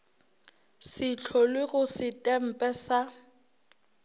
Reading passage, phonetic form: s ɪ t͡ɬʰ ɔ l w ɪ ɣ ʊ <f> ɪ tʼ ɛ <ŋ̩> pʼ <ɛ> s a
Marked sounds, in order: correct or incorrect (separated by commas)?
incorrect, incorrect, correct